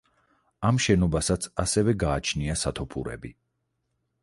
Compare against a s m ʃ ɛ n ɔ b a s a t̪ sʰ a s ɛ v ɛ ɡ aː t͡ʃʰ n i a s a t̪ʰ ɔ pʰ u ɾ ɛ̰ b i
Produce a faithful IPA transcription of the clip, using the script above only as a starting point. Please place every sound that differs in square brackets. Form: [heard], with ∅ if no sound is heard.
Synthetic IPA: a [∅] m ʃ ɛ n ɔ b a s a t̪ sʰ a s ɛ v ɛ ɡ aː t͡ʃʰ n i a s a t̪ʰ ɔ pʰ u ɾ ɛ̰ b i